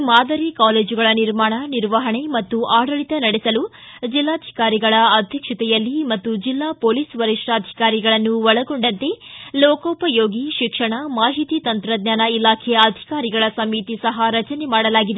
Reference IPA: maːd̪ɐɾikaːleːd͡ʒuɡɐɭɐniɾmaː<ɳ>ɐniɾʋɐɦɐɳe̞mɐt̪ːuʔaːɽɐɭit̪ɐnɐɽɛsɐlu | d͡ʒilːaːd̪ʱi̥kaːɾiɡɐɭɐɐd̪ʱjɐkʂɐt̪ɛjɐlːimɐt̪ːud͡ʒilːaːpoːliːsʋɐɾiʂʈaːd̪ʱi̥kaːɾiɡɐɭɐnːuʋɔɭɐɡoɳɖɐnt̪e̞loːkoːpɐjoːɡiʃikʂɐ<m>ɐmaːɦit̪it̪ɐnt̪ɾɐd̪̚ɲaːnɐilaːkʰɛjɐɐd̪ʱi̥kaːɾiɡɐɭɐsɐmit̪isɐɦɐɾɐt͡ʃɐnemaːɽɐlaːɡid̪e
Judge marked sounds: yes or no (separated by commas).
yes, no